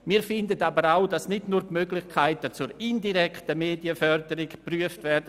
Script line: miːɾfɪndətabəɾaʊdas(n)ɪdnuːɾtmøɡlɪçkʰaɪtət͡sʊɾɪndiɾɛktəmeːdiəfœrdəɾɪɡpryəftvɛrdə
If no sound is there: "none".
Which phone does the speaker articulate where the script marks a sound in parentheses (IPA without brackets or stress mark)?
n